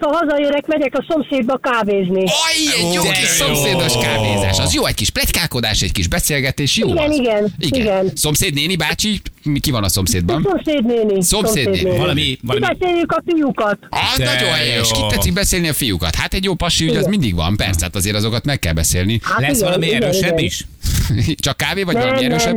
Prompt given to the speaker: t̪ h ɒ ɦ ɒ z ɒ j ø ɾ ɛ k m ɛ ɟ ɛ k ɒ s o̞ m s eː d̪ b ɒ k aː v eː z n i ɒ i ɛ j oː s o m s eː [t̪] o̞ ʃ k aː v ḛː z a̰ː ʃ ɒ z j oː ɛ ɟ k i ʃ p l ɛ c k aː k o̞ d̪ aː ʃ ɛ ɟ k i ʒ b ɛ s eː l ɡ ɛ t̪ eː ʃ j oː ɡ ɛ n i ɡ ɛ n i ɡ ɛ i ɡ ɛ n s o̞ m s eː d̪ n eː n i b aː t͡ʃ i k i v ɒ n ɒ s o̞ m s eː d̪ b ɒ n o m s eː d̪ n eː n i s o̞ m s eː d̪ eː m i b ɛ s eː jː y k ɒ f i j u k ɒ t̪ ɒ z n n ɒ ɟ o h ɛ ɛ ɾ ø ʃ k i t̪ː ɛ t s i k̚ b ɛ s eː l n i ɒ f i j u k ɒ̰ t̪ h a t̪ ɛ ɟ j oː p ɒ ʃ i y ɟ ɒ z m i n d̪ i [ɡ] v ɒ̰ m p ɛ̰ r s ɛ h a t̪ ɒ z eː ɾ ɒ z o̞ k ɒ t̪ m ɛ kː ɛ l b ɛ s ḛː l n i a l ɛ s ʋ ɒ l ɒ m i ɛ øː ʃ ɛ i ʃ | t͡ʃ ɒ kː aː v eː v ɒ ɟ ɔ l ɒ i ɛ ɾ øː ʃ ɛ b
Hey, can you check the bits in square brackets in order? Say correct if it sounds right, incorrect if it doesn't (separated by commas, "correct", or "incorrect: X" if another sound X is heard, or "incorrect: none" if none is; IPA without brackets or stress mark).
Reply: incorrect: d̪, correct